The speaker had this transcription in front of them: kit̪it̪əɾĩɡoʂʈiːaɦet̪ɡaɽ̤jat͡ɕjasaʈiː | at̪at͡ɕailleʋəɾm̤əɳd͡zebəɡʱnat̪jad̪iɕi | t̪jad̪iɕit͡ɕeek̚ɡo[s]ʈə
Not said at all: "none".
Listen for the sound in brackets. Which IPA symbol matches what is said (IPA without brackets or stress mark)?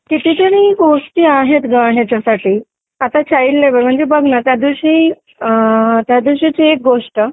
ʂ